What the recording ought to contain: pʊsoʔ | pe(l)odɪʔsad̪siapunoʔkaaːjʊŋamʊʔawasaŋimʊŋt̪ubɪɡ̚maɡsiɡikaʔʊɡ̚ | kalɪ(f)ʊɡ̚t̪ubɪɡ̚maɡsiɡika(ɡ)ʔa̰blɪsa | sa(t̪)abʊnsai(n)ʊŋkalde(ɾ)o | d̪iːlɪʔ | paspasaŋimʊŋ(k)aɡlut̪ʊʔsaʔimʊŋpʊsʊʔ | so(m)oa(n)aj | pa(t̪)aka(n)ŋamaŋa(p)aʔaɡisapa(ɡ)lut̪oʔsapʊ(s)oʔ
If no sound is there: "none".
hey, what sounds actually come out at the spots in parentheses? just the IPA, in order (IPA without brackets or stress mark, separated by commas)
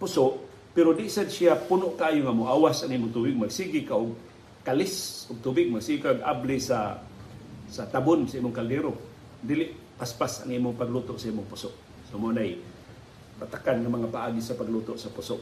ɾ, s, ɡ, t̪, m, ɾ, p, m, n, t̪, n, p, ɡ, s